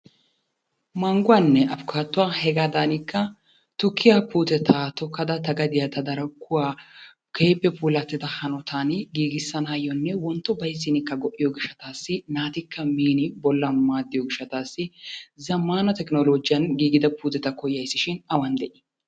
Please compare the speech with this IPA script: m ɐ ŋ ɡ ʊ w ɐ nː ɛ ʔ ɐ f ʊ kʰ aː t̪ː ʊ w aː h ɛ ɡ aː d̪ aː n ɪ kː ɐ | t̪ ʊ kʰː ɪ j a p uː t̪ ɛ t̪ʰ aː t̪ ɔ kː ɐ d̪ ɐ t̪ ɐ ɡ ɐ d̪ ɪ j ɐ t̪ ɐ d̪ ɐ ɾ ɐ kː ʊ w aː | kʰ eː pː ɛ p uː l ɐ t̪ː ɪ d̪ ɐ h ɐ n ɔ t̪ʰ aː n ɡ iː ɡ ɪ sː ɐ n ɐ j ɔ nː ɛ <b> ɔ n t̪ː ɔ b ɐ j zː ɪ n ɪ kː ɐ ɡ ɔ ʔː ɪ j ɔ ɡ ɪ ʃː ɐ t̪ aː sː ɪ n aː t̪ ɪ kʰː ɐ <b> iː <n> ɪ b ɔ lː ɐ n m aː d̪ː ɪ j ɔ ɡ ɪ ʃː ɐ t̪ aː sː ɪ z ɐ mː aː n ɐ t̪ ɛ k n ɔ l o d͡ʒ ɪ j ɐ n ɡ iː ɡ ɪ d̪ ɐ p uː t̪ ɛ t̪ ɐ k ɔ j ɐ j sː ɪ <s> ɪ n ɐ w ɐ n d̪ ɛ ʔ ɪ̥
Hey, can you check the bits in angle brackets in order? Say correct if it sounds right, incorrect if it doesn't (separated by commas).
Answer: incorrect, incorrect, correct, incorrect